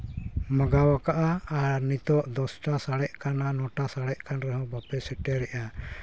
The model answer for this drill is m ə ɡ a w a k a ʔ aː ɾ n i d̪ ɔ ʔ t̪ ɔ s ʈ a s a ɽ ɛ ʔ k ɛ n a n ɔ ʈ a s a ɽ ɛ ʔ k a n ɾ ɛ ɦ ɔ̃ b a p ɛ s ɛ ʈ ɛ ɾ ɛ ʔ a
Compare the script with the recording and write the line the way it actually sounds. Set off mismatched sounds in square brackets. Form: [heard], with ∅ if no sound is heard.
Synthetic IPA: m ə ɡ a w a k a ʔ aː ɾ n i [t̪] ɔ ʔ [d̪] ɔ s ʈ a s a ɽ ɛ ʔ k [a] n a n ɔ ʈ a s a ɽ ɛ ʔ k a n ɾ ɛ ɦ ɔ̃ b a p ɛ s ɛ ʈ ɛ ɾ ɛ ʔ a

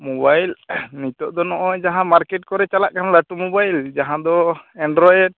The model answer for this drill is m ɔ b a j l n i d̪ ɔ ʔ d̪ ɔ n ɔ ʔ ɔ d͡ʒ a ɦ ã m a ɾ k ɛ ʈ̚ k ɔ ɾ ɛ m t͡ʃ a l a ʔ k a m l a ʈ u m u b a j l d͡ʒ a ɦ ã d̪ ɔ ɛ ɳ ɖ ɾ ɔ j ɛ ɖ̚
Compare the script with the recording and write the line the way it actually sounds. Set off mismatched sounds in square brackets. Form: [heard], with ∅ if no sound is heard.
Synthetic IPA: m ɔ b a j l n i [t̪] ɔ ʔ d̪ ɔ n ɔ ʔ ɔ d͡ʒ a ɦ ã m a ɾ k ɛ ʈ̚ k ɔ ɾ ɛ [∅] t͡ʃ a l a ʔ k a [n] l a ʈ u m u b a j l d͡ʒ a ɦ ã d̪ ɔ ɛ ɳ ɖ ɾ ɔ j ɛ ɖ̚

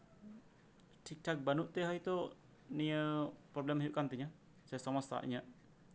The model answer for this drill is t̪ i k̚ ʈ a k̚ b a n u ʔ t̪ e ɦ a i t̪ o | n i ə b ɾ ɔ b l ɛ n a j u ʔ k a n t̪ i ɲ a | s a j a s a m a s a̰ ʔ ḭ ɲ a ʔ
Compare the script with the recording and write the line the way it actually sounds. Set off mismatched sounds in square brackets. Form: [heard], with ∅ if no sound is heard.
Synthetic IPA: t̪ i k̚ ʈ a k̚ b a n u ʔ t̪ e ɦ a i t̪ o | n i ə [p] ɾ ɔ b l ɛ [m] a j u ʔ k a n t̪ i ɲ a | s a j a s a m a s a̰ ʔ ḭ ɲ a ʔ

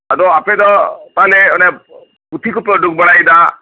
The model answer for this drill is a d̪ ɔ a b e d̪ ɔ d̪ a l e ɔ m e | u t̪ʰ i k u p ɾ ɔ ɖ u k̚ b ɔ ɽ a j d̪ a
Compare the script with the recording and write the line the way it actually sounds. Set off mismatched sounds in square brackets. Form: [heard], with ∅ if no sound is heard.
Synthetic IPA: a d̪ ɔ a [p] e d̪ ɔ [t̪] a l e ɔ [n] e | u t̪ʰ i k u p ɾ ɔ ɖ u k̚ b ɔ ɽ a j d̪ a

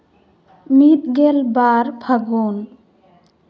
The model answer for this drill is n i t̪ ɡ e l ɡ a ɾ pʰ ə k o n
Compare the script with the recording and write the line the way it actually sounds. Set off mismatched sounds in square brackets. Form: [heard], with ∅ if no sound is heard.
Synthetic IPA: [m] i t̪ ɡ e l [b] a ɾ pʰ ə [ɡ] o n

